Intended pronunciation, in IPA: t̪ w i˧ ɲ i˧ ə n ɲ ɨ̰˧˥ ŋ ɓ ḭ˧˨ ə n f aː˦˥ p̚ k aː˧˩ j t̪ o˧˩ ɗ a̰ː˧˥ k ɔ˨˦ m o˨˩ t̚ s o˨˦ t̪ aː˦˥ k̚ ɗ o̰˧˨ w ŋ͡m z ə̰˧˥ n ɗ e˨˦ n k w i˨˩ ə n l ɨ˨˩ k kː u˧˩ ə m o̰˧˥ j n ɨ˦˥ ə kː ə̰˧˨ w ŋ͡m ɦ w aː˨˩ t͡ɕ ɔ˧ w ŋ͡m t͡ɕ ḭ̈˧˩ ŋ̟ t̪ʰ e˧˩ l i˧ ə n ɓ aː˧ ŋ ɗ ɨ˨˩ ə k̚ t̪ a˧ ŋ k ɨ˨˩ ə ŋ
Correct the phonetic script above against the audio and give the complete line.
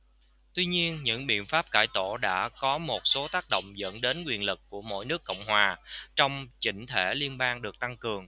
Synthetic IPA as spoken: t̪ w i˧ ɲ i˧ ə n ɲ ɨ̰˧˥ ŋ ɓ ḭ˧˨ ə n f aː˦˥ p̚ k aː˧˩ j t̪ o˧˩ ɗ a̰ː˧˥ k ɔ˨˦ m o˨˩ t̚ s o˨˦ t̪ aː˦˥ k̚ ɗ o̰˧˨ w ŋ͡m z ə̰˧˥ n ɗ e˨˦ n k w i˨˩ ə n l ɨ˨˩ k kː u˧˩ ə m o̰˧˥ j n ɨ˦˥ ə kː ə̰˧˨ w ŋ͡m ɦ w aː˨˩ t͡ɕ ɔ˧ w ŋ͡m t͡ɕ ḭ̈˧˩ ŋ̟ t̪ʰ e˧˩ l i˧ ə n ɓ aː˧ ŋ ɗ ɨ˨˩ ə k̚ t̪ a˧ ŋ k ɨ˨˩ ə ŋ

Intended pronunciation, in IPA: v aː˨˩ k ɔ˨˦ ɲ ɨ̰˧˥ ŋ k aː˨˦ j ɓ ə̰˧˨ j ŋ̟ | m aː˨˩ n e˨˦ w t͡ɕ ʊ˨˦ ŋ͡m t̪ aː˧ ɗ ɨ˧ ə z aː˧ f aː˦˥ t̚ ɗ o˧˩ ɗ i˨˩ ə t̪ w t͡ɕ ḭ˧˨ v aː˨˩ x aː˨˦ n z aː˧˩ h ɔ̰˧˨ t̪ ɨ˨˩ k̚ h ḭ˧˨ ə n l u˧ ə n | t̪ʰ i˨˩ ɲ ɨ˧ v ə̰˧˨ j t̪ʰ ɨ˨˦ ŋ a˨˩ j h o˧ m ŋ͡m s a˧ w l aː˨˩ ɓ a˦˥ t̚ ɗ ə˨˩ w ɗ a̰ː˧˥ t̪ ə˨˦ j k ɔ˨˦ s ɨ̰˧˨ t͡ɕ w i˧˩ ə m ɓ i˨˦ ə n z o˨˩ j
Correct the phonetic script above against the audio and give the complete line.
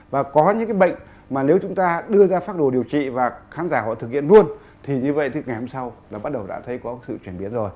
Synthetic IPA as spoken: v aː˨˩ k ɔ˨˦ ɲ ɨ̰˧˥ ŋ k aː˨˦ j ɓ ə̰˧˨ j ŋ̟ | m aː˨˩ n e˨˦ w t͡ɕ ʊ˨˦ ŋ͡m t̪ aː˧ ɗ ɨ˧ ə z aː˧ f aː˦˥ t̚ ɗ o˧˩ ɗ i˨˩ ə w t͡ɕ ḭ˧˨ v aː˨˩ x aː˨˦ n z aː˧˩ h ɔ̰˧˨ t̪ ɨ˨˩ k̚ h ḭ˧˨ ə n l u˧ ə n | t̪ʰ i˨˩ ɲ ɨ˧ v ə̰˧˨ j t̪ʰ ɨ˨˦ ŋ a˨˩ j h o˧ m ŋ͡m s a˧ w l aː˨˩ ɓ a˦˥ t̚ ɗ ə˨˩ w ɗ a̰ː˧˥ t̪ʰ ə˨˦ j k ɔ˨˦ s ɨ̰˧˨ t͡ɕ w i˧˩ ə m ɓ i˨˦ ə n z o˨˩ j

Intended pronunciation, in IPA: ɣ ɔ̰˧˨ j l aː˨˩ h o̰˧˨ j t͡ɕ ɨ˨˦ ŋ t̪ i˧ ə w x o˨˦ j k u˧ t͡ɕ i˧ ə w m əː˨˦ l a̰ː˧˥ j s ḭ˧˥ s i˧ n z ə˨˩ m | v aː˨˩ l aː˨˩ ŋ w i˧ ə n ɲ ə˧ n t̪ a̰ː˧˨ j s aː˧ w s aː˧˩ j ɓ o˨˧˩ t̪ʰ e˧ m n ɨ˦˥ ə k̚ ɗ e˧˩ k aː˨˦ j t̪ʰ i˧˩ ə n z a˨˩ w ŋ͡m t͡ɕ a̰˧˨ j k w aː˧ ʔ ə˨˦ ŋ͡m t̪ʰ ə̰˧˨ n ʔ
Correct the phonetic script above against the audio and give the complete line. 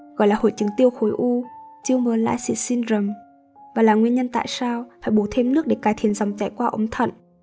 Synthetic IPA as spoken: ɣ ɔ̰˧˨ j l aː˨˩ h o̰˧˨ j t͡ɕ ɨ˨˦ ŋ t̪ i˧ ə w x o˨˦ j ʔ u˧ t͡ɕ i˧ ə w m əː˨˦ l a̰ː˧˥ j s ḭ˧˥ s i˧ n z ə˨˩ m | v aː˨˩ l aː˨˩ ŋ w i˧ ə n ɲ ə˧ n t̪ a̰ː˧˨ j s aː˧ w f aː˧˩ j ɓ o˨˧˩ t̪ʰ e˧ m n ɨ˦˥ ə k̚ ɗ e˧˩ k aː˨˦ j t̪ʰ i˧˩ ə n z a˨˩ w ŋ͡m t͡ɕ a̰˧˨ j k w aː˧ ʔ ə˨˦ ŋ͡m t̪ʰ ə̰˧˨ n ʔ

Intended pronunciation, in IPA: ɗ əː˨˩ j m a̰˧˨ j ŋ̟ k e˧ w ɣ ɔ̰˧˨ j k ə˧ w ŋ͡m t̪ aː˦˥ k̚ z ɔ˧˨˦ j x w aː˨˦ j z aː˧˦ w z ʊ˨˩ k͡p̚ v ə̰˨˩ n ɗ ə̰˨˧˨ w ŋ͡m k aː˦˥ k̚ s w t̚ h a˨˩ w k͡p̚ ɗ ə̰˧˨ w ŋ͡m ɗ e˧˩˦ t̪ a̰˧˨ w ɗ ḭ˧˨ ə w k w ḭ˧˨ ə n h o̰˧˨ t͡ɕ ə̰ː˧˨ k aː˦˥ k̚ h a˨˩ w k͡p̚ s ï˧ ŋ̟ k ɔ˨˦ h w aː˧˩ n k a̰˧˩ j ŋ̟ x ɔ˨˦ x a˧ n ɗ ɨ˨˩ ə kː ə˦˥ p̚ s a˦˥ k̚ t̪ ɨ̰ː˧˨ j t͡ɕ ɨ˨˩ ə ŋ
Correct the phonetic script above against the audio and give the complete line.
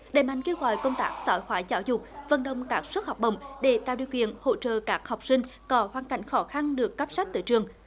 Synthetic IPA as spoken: ɗ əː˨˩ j m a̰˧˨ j ŋ̟ k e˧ w ɣ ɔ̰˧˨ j k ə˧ w ŋ͡m t̪ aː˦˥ k̚ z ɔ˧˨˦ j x w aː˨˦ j z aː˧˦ w z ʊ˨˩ k͡p̚ v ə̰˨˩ n ɗ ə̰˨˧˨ w ŋ͡m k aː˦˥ k̚ s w t̚ h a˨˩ w k͡p̚ ɗ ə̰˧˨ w ŋ͡m ɗ e˧˩˦ t̪ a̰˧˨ w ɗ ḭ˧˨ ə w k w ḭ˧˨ ə n h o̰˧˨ t͡ɕ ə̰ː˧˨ k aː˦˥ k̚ h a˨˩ w k͡p̚ s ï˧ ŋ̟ k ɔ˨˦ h w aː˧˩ n k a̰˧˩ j ŋ̟ x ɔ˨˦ x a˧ n ɗ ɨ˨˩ ə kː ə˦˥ p̚ s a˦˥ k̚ t̪ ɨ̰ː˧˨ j t͡ɕ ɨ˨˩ ə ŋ

